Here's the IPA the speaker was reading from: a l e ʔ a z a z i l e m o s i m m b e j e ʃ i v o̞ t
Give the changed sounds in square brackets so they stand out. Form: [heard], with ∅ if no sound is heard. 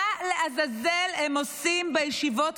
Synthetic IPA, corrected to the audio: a l e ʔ a z a z [e] l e m o s i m m b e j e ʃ i v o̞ t